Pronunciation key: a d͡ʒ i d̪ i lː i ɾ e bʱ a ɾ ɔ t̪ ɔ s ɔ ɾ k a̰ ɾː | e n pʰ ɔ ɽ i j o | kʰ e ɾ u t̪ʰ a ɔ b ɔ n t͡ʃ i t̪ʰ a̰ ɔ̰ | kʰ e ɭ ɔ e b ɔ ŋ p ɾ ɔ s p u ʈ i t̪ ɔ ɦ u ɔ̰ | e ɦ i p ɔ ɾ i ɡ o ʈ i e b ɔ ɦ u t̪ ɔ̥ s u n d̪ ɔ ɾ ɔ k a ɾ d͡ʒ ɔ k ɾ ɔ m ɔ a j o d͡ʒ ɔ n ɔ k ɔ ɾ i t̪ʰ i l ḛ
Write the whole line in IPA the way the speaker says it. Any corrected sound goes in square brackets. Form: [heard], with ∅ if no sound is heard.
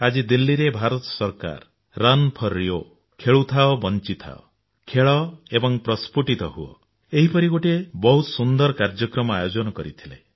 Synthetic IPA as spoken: a d͡ʒ i d̪ i lː i ɾ e bʱ a ɾ ɔ t̪ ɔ s ɔ ɾ k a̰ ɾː | [a] n pʰ ɔ [ɾ] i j o | kʰ e [ɭ] u t̪ʰ a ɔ b ɔ n t͡ʃ i t̪ʰ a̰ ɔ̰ | kʰ e ɭ ɔ e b ɔ ŋ p ɾ ɔ s p u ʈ i t̪ ɔ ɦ u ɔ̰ | e ɦ i p ɔ ɾ i ɡ o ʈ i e b ɔ ɦ u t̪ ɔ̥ s u n d̪ ɔ ɾ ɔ k a ɾ d͡ʒ ɔ k ɾ ɔ m ɔ a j o d͡ʒ ɔ n ɔ k ɔ ɾ i t̪ʰ i l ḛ